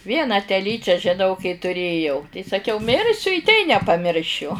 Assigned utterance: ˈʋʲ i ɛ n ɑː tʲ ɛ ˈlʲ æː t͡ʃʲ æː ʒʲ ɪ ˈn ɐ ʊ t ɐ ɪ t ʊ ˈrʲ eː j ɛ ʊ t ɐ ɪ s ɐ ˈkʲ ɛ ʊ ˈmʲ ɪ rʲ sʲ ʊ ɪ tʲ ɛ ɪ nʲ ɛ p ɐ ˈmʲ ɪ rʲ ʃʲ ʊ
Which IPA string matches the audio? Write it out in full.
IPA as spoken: ˈʋʲ i ɛ n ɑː tʲ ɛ ˈlʲ iː t͡ʃʲ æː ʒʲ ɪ ˈn ɐ ʊ k ɐ ɪ t ʊ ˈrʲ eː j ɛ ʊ t ɐ ɪ s ɐ ˈkʲ ɛ ʊ ˈmʲ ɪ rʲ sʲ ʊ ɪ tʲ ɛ ɪ nʲ ɛ p ɐ ˈmʲ ɪ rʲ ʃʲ ʊ